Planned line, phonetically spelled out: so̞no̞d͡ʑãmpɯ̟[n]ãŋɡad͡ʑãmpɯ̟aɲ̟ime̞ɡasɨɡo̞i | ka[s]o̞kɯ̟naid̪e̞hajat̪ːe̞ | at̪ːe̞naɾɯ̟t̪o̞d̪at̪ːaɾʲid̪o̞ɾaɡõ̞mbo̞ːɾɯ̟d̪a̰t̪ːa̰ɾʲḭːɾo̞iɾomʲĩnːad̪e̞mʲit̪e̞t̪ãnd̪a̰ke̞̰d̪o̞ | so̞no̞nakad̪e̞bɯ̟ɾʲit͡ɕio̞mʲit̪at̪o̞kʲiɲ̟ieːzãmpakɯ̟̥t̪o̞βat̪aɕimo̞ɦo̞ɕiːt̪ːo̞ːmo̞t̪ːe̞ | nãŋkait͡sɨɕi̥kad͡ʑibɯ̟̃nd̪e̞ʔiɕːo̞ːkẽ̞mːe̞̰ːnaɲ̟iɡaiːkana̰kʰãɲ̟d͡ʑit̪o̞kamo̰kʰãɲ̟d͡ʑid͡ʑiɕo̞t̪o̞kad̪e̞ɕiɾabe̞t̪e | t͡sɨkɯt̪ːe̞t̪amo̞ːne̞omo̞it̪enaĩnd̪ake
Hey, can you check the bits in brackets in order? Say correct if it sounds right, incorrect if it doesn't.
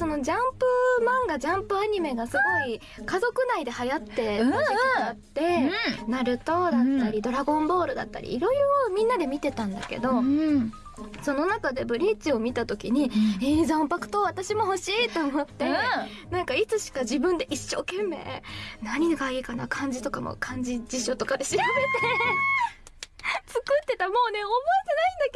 incorrect: m, incorrect: z

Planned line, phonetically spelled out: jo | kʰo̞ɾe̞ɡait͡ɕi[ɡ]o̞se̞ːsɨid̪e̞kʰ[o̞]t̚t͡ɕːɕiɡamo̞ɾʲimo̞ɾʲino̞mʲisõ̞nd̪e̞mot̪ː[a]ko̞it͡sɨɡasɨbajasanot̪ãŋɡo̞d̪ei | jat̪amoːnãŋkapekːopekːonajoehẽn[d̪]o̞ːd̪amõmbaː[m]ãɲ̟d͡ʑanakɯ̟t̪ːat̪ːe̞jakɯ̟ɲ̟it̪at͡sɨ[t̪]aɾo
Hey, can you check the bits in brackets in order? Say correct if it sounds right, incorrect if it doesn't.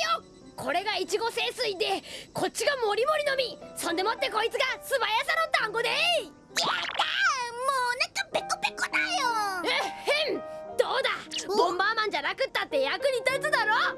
correct, correct, incorrect: e, correct, correct, incorrect: d̪

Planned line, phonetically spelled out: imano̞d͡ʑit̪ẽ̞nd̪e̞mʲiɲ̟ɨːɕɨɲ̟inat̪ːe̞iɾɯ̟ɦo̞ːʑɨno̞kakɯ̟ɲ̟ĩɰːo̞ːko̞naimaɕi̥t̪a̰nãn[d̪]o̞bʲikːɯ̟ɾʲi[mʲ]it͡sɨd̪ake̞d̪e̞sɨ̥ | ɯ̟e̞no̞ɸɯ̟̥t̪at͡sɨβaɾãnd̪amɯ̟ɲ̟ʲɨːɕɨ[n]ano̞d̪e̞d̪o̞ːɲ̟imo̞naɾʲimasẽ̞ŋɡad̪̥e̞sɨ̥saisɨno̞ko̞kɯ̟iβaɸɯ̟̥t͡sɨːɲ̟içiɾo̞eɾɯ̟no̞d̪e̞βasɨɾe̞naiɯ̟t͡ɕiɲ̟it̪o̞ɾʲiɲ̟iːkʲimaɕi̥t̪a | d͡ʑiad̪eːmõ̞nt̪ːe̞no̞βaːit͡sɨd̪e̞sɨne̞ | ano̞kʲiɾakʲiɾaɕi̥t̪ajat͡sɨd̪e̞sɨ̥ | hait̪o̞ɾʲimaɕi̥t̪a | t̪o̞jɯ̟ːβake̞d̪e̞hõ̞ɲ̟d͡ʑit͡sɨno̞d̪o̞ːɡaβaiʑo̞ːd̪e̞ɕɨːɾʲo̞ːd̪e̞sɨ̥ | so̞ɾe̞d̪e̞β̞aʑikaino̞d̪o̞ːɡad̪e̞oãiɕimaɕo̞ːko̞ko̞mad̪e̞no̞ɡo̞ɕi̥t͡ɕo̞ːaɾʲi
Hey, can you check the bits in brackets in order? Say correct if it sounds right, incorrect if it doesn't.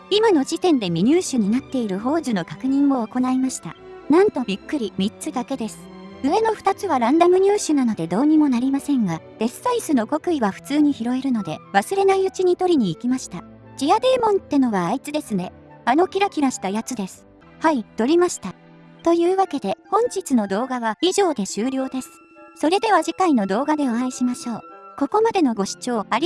incorrect: t̪, correct, correct

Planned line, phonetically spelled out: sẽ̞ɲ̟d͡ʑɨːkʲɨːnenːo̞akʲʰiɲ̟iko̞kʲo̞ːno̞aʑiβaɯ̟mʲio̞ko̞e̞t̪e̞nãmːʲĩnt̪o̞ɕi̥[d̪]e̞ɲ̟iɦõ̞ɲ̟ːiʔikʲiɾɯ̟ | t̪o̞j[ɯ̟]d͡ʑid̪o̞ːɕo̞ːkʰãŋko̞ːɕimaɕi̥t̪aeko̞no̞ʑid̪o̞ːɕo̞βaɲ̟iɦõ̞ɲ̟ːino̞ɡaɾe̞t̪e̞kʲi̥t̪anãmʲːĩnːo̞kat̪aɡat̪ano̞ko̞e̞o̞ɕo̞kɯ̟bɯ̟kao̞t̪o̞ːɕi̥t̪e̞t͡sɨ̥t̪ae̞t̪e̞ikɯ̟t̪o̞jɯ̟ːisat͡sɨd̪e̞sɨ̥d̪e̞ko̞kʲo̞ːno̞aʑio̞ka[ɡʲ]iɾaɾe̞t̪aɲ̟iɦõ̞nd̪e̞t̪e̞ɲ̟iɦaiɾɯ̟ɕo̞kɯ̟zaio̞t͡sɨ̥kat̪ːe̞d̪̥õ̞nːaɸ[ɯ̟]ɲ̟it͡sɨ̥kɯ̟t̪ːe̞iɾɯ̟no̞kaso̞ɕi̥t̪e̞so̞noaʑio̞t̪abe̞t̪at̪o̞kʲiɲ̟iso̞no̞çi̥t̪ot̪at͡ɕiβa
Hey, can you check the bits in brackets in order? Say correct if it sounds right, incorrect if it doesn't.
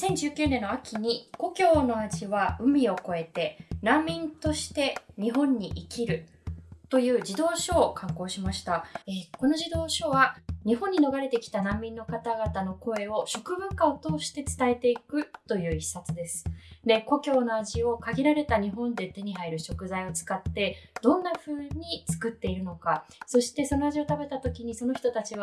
incorrect: t̪, incorrect: ɯ̟ː, correct, incorrect: ɯ̟ː

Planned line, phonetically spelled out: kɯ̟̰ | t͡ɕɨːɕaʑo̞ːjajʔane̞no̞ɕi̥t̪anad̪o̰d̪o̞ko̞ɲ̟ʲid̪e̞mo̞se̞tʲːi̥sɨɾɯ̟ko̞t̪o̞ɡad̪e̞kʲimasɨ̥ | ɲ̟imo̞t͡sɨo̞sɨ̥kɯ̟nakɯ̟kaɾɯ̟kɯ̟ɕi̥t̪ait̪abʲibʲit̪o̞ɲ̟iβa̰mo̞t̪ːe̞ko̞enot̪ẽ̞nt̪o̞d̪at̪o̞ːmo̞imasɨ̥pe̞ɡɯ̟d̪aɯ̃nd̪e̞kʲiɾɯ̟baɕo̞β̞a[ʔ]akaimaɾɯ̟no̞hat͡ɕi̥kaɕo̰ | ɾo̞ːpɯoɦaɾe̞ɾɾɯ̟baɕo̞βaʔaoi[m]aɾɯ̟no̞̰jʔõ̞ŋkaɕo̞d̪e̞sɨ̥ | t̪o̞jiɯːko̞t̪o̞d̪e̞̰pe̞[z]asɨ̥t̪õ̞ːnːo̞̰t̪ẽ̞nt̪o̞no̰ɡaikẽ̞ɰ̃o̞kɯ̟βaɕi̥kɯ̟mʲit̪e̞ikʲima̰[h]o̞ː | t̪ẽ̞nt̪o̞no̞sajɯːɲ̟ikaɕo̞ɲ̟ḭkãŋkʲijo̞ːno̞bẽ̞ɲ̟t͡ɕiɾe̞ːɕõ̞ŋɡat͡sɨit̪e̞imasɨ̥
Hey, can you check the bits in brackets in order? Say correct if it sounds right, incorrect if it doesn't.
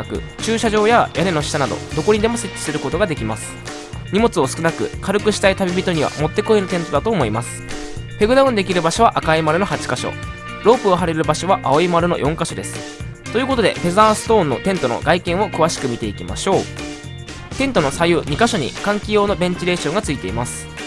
correct, correct, correct, incorrect: ɕ

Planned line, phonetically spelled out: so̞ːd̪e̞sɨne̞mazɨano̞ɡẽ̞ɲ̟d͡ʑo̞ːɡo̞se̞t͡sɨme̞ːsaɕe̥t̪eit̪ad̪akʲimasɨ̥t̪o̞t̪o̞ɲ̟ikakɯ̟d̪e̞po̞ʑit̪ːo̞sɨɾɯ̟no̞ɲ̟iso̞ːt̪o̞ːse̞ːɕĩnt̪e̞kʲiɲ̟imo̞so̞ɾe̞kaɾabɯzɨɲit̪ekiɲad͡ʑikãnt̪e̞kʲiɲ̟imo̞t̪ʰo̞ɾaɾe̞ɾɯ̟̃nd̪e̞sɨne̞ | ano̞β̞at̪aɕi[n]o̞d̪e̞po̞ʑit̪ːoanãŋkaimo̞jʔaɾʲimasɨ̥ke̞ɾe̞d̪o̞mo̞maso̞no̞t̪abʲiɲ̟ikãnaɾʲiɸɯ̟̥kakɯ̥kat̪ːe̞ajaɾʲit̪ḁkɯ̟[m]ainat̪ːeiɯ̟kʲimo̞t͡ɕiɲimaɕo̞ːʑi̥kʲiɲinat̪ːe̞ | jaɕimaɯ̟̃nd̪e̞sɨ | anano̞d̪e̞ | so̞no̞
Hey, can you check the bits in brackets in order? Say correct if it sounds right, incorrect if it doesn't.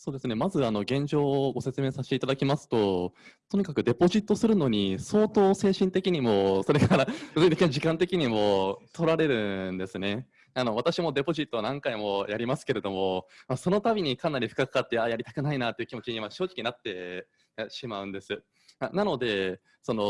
incorrect: m, incorrect: n

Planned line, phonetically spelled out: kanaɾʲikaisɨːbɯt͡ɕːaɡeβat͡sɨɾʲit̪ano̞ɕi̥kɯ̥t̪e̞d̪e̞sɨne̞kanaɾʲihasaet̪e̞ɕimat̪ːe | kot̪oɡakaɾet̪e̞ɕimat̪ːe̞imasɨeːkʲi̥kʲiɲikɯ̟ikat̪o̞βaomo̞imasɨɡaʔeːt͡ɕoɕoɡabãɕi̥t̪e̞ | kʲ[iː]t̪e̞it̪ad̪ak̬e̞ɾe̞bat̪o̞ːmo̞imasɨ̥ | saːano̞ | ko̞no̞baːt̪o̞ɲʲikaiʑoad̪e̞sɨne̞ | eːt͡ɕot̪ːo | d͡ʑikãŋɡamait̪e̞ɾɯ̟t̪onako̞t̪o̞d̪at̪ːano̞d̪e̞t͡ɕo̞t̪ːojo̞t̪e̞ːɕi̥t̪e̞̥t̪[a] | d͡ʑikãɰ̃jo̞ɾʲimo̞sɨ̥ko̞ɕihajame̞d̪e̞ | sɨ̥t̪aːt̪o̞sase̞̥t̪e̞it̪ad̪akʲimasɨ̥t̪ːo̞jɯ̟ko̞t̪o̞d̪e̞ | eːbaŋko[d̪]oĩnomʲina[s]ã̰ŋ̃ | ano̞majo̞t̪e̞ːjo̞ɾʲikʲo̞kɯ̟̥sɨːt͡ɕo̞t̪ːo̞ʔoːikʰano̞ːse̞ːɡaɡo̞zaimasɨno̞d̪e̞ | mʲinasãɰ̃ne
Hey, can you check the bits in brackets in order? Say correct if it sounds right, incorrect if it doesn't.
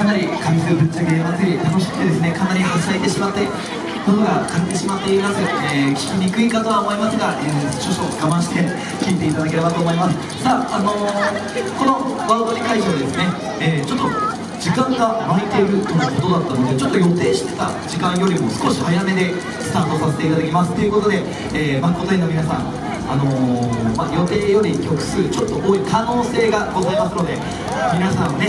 correct, correct, incorrect: t̪, correct

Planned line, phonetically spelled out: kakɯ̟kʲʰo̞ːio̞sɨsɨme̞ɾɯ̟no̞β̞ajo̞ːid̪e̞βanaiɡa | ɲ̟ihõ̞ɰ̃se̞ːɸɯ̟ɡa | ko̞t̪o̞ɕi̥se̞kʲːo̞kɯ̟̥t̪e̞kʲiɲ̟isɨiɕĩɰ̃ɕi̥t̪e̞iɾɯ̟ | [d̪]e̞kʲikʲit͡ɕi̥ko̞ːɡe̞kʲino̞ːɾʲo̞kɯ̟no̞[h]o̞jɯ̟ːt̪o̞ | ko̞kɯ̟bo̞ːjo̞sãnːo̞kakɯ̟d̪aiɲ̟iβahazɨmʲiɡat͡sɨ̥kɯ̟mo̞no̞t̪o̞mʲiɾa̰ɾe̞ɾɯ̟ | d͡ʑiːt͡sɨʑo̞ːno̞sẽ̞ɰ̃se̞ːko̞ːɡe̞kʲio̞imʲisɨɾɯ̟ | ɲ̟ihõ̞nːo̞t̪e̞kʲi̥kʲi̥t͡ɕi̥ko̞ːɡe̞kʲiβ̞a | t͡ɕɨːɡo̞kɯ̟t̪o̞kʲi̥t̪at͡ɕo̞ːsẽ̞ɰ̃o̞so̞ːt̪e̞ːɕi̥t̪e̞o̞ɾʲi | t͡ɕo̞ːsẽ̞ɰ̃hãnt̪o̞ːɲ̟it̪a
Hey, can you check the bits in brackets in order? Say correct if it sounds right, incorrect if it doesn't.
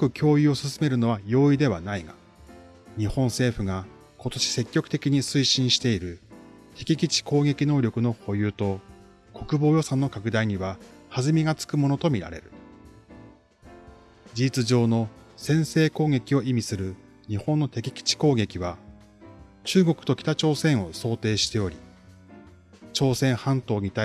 incorrect: t̪, correct

